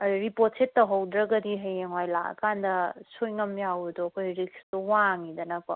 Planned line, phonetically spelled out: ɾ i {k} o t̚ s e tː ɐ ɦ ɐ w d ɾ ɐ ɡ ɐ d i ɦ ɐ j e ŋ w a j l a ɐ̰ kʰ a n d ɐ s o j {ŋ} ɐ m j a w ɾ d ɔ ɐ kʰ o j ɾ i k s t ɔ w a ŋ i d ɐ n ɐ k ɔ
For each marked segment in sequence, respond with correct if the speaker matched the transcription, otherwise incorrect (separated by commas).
incorrect, correct